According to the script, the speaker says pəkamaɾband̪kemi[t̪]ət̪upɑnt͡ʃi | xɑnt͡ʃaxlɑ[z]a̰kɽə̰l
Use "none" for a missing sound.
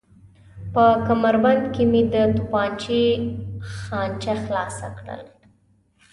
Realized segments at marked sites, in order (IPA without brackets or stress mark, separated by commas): d̪, s